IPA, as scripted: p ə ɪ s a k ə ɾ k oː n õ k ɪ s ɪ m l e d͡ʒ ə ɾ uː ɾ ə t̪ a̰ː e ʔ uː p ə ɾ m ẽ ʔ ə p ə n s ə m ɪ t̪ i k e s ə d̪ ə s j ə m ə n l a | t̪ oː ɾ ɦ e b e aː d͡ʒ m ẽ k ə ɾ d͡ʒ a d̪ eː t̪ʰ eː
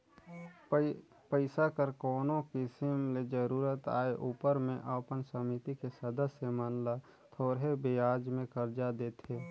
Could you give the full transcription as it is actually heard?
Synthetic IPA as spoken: p ə ɪ s a k ə ɾ k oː n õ k ɪ s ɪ m l e d͡ʒ ə ɾ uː ɾ ə t̪ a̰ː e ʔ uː p ə ɾ m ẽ ʔ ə p ə n s ə m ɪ t̪ i k e s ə d̪ ə s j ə m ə n l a | t̪ʰ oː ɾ ɦ e b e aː d͡ʒ m ẽ k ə ɾ d͡ʒ a d̪ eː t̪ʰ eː